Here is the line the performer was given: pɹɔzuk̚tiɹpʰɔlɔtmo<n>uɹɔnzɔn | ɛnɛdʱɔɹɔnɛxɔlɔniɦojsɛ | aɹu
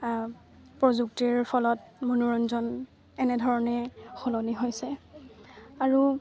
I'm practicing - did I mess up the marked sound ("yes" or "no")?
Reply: no